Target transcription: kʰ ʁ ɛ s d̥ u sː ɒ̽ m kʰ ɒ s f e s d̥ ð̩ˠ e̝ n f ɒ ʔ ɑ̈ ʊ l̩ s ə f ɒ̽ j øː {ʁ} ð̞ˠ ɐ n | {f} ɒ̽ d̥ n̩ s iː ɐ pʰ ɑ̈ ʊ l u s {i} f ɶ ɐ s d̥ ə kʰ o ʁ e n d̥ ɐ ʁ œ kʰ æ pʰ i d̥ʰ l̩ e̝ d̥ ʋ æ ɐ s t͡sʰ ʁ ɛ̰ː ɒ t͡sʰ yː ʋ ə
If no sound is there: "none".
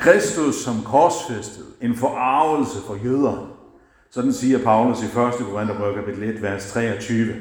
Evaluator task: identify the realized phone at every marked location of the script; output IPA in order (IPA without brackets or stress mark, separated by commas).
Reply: none, s, i